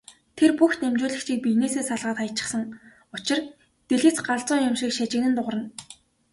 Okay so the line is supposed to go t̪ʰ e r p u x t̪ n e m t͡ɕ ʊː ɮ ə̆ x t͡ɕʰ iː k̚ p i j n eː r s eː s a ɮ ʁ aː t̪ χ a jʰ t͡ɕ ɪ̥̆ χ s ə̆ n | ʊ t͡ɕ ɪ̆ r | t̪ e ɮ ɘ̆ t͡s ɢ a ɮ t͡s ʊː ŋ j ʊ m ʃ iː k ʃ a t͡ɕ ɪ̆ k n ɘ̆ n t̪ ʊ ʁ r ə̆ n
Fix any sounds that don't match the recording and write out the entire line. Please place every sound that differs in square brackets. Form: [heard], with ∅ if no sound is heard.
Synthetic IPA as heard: t̪ʰ e r p u x t̪ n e m t͡ɕ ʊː ɮ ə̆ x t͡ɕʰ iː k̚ p i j n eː [∅] s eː s a ɮ ʁ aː t̪ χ a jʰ t͡ɕ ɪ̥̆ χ s ə̆ [ŋ] | ʊ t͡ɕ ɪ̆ r | t̪ e ɮ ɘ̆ t͡s ɢ a ɮ t͡s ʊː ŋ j ʊ m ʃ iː k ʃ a t͡ɕ ɪ̆ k n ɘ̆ n t̪ ʊ ʁ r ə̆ n